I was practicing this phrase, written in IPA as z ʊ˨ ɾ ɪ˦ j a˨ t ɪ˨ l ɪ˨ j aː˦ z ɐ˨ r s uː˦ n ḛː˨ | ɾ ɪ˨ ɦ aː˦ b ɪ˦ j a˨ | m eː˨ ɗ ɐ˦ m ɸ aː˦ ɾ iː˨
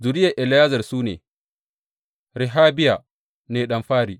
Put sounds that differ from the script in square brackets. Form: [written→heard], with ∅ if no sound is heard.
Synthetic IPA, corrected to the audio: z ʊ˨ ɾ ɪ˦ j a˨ [t→ʔ] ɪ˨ l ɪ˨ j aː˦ z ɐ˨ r s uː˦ n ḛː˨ | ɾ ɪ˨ ɦ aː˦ b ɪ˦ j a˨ | [m→n] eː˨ ɗ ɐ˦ m ɸ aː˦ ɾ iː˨